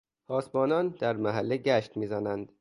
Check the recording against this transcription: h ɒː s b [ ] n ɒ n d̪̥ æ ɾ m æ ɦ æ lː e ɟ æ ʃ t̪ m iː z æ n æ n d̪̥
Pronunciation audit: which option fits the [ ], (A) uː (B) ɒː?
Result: B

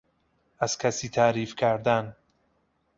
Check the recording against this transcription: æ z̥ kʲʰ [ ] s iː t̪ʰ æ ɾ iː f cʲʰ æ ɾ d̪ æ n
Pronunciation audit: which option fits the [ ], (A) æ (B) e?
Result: A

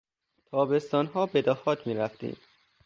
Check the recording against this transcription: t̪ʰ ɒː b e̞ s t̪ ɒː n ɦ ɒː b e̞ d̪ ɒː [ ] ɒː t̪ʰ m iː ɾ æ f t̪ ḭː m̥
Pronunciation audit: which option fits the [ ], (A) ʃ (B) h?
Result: B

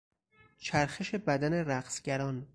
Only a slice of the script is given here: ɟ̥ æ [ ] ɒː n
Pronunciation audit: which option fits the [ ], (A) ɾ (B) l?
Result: A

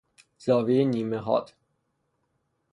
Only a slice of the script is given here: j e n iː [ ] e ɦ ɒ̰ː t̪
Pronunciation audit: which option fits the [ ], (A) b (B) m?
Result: B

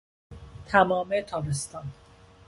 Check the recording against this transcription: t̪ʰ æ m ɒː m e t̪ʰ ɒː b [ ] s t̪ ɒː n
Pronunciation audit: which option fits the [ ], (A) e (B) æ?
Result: A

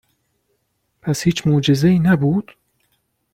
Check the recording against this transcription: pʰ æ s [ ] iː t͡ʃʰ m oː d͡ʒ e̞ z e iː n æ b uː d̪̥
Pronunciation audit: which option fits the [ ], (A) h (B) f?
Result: A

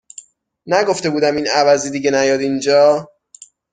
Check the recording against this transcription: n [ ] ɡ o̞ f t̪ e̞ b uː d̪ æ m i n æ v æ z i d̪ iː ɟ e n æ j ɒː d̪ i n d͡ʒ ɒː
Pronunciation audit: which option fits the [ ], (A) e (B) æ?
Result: B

